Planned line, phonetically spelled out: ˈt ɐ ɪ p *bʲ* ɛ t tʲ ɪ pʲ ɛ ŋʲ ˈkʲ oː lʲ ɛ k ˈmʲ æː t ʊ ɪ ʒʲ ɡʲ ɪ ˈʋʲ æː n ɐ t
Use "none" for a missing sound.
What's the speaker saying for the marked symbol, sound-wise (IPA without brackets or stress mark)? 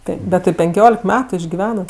bʲ